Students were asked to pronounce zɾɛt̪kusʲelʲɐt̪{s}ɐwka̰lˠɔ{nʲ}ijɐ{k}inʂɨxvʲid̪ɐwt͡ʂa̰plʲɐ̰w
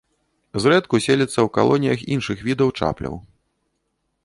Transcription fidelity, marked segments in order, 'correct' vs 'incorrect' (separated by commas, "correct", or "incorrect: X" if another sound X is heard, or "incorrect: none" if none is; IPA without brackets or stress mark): incorrect: sː, correct, incorrect: x